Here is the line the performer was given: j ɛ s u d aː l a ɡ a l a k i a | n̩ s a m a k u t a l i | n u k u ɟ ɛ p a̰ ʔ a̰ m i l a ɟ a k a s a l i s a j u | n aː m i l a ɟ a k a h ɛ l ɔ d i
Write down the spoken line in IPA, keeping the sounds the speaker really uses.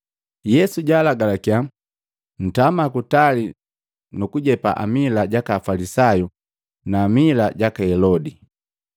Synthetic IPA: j ɛ s u ɟ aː l a ɡ a l a k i a | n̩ t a m a k u t a l i | n u k u ɟ ɛ p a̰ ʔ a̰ m i l a ɟ a k a f a l i s a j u | n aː m i l a ɟ a k a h ɛ l ɔ d i